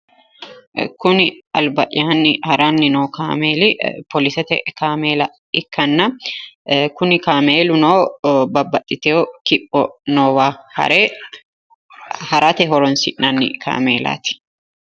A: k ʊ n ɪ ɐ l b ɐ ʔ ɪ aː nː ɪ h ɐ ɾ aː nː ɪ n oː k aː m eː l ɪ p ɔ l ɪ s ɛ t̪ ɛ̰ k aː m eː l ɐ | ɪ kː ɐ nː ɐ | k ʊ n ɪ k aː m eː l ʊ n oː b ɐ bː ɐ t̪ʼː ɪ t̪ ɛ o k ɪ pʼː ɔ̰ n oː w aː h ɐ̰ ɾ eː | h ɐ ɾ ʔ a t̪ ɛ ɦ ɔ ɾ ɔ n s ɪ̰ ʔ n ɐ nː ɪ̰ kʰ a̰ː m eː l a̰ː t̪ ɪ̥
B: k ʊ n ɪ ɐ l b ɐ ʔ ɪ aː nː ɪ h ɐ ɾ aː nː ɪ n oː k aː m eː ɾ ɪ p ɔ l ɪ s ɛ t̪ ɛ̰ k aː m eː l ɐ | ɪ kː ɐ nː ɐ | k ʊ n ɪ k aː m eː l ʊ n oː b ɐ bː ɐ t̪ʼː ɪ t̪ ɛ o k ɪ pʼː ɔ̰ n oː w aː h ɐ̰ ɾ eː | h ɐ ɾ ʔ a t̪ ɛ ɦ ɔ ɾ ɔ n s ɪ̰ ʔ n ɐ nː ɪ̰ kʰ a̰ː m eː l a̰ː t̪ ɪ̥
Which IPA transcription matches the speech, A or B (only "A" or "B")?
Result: A